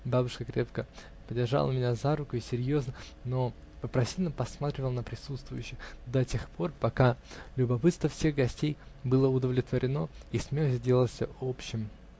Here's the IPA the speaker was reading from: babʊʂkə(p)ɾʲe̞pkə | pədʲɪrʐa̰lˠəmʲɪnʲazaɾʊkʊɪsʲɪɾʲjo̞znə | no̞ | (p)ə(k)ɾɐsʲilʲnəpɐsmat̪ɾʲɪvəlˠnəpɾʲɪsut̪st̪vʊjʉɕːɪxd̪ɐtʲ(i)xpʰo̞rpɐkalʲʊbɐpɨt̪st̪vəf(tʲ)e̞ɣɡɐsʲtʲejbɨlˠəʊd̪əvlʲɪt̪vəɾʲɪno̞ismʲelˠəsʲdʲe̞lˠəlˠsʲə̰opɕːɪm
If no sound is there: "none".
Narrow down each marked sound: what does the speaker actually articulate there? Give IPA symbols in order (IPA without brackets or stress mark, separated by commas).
k, p, p, e, sʲ